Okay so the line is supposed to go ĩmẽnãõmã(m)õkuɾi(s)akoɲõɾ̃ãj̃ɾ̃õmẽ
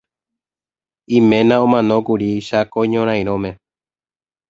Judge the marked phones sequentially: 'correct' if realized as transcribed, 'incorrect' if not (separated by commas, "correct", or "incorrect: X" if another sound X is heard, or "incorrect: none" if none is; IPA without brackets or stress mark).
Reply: incorrect: n, incorrect: ʃ